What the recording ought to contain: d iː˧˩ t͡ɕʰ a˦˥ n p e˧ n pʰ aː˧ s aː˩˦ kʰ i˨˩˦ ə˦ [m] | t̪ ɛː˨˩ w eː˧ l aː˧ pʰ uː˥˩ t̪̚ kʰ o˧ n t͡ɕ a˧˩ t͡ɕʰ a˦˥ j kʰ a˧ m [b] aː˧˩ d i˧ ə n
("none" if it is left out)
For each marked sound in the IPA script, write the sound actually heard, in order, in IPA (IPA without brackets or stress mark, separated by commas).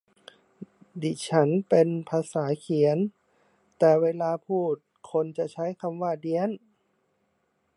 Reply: n, w